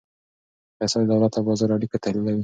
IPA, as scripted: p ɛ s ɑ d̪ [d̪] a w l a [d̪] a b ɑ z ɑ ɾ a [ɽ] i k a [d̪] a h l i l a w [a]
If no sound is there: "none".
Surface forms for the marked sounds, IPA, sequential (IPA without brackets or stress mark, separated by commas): d̪, t̪, ɽ, t̪, i